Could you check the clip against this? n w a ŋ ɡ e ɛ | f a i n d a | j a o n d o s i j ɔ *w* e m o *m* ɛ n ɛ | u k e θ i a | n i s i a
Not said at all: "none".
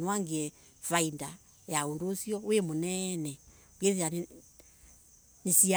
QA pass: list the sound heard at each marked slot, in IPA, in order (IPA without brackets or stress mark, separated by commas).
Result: w, n